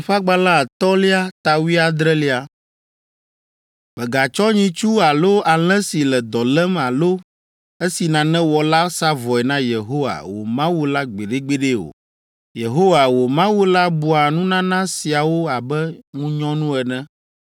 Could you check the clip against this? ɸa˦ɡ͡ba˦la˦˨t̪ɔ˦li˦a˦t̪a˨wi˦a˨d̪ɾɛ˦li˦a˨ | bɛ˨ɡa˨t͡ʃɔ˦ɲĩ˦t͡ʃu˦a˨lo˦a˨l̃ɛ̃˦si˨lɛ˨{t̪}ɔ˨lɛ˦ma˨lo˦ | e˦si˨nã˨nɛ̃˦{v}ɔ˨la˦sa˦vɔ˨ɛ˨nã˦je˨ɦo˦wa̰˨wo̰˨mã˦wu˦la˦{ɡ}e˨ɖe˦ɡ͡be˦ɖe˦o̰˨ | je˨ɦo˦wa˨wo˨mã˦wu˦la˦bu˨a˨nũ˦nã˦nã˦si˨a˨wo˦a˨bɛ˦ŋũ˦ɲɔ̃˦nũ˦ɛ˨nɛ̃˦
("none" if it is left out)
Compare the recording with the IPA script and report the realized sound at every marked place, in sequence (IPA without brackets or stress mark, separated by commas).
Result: d̪, w, ɡ͡b